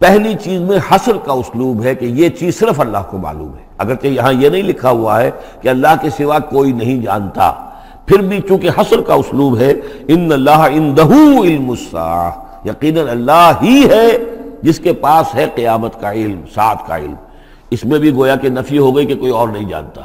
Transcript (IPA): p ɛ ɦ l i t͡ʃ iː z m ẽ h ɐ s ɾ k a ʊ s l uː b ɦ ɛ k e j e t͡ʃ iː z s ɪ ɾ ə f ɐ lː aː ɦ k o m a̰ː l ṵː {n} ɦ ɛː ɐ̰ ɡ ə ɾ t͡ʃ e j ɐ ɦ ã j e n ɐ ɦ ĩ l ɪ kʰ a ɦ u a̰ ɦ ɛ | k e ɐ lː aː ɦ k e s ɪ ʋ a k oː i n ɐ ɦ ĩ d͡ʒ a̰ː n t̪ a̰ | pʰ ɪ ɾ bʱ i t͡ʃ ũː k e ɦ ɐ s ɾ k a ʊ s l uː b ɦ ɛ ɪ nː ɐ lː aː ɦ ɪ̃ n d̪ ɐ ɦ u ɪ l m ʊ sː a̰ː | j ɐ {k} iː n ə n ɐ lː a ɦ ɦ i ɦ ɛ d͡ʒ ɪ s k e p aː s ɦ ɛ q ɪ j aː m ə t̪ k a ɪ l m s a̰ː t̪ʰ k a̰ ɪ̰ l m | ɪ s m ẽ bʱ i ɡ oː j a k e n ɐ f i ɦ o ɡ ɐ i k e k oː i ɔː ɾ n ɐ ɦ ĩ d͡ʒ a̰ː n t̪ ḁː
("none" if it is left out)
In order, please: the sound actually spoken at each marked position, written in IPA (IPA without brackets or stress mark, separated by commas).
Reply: m, q